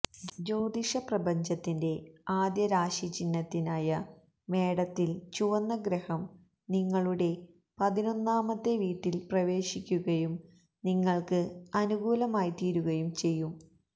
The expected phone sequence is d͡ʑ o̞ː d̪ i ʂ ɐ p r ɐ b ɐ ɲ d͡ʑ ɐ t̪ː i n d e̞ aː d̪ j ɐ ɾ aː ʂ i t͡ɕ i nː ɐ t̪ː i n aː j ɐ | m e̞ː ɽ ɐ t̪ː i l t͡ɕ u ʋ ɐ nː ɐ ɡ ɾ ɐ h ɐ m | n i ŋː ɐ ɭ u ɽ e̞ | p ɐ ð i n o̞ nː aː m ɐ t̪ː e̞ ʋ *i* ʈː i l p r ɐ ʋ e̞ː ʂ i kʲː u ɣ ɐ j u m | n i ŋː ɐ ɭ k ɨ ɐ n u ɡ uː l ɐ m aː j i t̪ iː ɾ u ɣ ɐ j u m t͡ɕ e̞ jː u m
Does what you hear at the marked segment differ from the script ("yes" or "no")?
yes